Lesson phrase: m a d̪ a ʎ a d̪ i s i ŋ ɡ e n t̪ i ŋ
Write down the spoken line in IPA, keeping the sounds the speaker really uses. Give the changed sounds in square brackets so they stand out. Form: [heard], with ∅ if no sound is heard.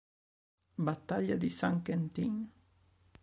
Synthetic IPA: [b] a [t̪] a ʎ a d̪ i s [a] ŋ [k] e n t̪ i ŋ